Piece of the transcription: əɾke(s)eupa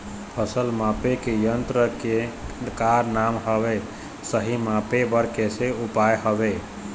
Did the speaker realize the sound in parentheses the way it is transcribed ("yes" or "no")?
yes